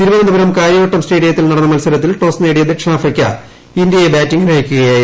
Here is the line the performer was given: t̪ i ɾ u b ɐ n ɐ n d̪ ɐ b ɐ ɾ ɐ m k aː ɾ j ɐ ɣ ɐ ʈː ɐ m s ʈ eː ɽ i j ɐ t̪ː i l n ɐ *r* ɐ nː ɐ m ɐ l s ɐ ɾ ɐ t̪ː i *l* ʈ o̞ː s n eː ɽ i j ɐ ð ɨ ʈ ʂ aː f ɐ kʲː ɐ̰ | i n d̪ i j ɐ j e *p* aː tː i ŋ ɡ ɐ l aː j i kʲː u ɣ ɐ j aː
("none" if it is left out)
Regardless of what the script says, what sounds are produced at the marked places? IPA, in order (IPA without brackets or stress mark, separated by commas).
ɽ, l, b